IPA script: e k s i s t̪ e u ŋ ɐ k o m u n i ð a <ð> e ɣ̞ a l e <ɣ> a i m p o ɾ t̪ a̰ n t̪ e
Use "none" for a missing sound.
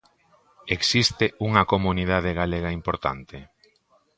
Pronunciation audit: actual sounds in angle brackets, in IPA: ð, ɣ

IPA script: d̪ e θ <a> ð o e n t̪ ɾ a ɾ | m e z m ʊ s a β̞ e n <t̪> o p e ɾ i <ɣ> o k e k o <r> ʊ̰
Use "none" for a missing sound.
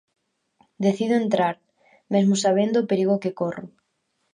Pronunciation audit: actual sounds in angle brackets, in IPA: i, d̪, ɣ, r

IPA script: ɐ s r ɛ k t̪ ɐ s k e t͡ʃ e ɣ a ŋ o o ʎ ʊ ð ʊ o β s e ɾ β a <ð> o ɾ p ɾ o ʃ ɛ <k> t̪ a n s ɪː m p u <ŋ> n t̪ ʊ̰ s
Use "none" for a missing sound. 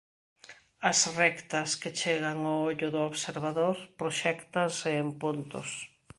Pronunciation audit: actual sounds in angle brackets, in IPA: ð, k, none

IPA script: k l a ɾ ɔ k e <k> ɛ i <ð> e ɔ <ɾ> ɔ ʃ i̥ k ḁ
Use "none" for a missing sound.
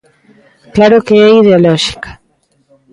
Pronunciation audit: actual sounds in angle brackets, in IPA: none, ð, l

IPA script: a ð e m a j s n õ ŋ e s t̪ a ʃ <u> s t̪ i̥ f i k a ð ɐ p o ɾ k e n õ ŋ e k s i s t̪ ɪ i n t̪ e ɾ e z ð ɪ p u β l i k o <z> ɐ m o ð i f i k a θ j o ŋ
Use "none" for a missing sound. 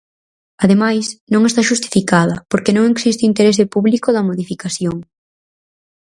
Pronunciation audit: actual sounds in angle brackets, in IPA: u, ð

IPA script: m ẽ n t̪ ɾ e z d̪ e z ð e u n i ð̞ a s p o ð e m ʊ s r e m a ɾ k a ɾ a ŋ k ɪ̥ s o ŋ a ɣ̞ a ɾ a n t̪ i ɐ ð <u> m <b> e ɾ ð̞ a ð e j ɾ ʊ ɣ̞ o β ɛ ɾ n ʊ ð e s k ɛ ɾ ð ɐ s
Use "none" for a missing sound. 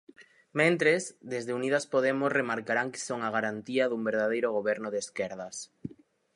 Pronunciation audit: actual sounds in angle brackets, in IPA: u, b

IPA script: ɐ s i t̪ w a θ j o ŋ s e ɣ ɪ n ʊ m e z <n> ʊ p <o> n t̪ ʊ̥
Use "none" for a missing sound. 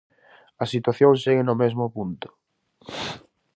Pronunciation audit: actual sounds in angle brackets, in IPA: m, u

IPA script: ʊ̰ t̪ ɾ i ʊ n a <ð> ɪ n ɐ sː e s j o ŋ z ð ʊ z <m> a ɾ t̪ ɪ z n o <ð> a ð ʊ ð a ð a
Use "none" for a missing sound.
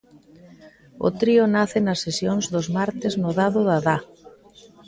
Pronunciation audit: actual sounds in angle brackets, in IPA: θ, m, ð

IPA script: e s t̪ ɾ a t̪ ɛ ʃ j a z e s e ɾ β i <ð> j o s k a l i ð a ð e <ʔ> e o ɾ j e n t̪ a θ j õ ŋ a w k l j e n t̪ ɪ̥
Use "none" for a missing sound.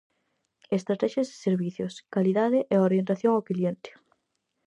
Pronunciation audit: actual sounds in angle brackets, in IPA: θ, ʔ

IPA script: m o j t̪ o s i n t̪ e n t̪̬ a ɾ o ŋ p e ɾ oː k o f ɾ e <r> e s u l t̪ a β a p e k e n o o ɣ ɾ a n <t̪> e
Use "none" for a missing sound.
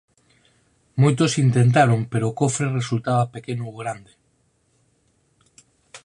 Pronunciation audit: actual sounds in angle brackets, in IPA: r, d̪

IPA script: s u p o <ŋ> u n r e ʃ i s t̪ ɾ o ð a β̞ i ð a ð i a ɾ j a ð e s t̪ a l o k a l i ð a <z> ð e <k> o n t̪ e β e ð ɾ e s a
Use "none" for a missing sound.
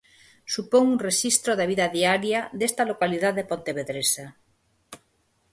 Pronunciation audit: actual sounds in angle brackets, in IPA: ŋ, ð, p

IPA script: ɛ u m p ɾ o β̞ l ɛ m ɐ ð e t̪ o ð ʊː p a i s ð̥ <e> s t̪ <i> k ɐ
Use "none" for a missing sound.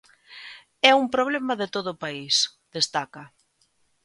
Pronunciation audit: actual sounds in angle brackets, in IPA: e, a

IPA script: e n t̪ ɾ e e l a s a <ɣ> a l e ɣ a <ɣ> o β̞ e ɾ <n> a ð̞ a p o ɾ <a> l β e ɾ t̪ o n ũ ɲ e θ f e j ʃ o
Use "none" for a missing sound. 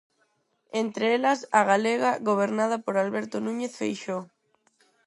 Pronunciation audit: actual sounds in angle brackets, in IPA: ɣ, ɣ, n, a

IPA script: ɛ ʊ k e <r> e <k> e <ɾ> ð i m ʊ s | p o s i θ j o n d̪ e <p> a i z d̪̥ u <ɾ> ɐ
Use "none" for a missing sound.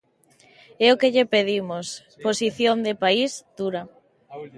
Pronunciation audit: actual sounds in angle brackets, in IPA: ʎ, p, none, p, ɾ

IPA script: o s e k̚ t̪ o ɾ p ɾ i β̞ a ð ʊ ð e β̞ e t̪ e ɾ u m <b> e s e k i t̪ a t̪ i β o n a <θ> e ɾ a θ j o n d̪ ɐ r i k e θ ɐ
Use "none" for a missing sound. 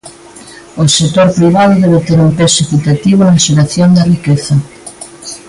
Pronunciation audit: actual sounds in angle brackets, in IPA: p, ʃ

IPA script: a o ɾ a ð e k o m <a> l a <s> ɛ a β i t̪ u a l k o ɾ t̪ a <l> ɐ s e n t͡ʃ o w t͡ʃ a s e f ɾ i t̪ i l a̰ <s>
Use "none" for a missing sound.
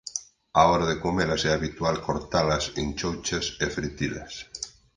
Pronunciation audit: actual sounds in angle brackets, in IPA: e, s, l, s

